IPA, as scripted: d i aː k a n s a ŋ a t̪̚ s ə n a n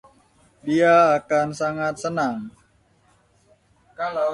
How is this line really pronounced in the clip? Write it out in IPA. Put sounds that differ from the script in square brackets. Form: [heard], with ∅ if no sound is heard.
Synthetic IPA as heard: d i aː k a n s a ŋ a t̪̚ s ə n a [ŋ]